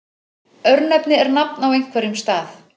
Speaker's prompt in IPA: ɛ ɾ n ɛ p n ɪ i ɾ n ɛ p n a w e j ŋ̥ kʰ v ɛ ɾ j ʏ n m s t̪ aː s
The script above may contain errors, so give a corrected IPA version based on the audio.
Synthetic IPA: œ ɾ n ɛ p n ɪ ɛ ɾ n a p n a w e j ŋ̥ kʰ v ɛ ɾ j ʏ m s t̪ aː θ